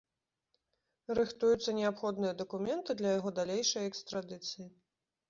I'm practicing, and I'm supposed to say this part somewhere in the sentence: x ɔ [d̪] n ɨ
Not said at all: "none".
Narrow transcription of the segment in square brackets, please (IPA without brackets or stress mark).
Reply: d̪